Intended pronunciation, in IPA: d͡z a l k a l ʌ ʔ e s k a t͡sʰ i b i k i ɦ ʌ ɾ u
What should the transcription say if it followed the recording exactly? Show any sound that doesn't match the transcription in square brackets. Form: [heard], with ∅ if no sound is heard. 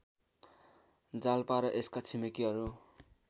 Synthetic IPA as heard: d͡z a l [p] a [ɾ] ʌ ʔ e s k a t͡sʰ i [m] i k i ɦ ʌ ɾ u